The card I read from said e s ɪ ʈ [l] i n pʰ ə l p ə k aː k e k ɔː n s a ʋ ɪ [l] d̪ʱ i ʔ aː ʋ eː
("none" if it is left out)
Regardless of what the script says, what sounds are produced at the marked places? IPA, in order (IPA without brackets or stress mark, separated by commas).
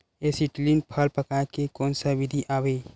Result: l, none